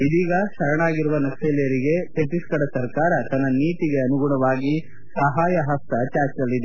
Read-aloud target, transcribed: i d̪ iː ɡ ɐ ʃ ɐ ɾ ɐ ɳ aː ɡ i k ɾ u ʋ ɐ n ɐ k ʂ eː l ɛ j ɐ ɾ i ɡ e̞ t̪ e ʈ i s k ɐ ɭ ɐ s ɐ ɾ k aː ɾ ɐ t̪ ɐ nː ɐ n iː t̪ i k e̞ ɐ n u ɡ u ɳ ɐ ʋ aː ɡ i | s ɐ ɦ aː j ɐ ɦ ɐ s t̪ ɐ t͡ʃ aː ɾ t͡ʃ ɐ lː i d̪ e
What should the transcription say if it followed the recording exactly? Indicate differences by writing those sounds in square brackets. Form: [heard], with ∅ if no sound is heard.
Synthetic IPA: i d̪ iː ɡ ɐ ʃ ɐ ɾ ɐ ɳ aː ɡ i [∅] ɾ u ʋ ɐ n ɐ k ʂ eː l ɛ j ɐ ɾ i ɡ e̞ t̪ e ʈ i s k ɐ [ɽ] ɐ s ɐ ɾ k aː ɾ ɐ t̪ ɐ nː ɐ n iː t̪ i [ɡ] e̞ ɐ n u ɡ u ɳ ɐ ʋ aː ɡ i | s ɐ ɦ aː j ɐ ɦ ɐ s t̪ ɐ t͡ʃ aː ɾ t͡ʃ ɐ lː i d̪ e